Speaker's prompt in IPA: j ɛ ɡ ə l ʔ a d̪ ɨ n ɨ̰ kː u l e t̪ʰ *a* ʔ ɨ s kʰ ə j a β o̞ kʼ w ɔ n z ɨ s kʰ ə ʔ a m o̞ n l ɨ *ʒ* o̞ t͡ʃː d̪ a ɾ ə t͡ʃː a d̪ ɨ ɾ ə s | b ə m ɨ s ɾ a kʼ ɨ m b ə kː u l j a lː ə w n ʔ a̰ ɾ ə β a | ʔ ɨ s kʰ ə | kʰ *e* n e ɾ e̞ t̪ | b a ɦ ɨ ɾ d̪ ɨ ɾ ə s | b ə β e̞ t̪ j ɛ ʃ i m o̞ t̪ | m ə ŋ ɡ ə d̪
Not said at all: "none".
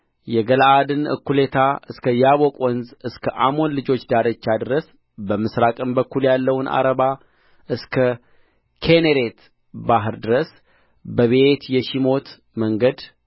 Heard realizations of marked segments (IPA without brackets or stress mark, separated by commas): a, d͡ʒ, e